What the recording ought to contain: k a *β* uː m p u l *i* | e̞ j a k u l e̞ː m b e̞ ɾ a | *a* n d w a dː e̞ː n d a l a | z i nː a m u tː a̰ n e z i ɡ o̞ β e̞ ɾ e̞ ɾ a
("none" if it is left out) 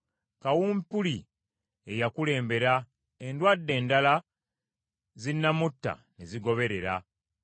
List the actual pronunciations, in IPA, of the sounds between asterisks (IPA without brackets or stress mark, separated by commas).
w, i, e